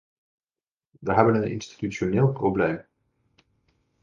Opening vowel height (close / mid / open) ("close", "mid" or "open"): mid